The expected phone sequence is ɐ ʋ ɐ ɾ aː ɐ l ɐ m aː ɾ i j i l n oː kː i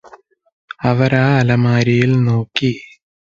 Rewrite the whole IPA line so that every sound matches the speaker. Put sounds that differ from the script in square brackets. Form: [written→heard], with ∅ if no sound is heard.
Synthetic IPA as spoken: ɐ ʋ ɐ ɾ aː ɐ l ɐ m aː ɾ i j i l n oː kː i